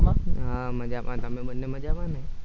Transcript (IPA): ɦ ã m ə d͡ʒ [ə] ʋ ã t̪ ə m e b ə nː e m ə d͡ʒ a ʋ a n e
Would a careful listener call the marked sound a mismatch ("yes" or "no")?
yes